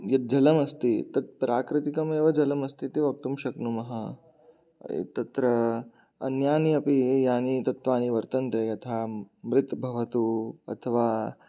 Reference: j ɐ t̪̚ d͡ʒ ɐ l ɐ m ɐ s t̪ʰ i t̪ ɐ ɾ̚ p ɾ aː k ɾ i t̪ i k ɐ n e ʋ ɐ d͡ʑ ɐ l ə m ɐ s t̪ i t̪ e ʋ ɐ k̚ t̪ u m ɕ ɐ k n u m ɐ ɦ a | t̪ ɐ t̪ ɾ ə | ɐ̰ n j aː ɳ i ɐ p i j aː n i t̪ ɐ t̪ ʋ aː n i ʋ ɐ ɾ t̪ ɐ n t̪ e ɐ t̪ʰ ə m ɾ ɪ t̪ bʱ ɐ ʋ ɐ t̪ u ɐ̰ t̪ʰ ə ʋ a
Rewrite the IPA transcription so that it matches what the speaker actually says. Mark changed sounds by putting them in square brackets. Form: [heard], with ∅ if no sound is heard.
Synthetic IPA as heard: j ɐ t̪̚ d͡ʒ ɐ l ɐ m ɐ s [t̪] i t̪ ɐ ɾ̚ p ɾ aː k ɾ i t̪ i k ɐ [m] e ʋ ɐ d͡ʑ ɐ l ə m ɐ s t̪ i t̪ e ʋ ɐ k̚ t̪ u m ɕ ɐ k n u m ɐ ɦ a | t̪ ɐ t̪ ɾ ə | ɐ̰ n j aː [n] i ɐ p i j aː n i t̪ ɐ t̪ ʋ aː n i ʋ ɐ ɾ t̪ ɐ n t̪ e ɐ t̪ʰ [a] m ɾ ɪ t̪ bʱ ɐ ʋ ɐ t̪ u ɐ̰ t̪ʰ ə ʋ a